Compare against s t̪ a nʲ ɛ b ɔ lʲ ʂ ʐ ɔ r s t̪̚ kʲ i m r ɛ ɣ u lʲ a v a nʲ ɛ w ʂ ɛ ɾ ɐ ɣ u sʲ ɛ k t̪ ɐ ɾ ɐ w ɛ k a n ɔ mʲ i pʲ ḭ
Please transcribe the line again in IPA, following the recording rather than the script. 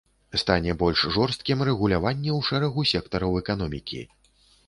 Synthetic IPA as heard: s t̪ a nʲ ɛ b ɔ lʲ ʂ ʐ ɔ r s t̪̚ kʲ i m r ɛ ɣ u lʲ a v a nʲː ɛ w ʂ ɛ ɾ ɐ ɣ u sʲ ɛ k t̪ ɐ ɾ ɐ w ɛ k a n ɔ mʲ i kʲ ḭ